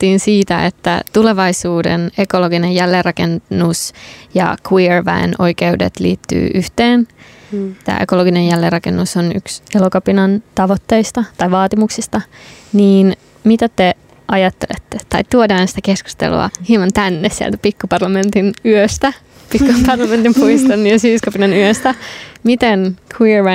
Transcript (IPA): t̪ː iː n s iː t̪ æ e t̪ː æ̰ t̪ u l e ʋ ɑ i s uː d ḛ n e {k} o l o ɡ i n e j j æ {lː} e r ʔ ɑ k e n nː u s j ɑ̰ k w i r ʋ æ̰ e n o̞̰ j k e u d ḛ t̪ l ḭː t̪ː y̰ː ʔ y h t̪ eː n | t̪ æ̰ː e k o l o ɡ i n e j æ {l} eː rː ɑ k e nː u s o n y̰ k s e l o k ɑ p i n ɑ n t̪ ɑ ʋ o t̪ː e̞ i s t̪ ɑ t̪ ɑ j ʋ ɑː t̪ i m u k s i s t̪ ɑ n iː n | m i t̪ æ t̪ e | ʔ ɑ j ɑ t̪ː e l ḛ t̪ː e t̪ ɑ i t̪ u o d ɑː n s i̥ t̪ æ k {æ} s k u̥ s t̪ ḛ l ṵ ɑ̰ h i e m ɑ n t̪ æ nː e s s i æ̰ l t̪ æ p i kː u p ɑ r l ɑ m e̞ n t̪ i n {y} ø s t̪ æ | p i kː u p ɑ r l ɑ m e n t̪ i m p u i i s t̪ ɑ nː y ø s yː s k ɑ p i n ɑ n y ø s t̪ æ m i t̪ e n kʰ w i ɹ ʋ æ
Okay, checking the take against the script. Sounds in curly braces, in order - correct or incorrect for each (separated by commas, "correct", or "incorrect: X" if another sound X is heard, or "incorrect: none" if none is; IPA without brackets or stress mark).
correct, correct, incorrect: lː, incorrect: e, correct